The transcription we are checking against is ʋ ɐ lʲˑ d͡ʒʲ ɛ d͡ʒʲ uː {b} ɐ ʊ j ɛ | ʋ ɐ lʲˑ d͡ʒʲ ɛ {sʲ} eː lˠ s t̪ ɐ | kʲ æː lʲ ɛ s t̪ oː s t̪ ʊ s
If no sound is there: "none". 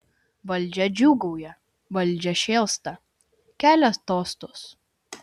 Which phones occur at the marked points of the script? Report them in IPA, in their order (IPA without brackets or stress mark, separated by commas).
ɡ, ʃʲ